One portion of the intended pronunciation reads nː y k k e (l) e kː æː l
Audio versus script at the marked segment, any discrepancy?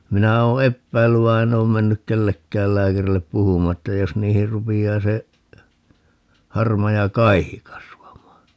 yes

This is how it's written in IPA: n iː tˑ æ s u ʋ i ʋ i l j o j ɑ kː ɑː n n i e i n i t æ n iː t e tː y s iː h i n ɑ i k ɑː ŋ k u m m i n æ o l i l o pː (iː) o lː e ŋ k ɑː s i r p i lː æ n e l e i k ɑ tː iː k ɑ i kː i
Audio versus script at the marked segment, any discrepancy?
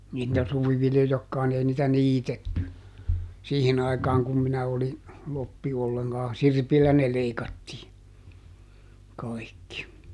yes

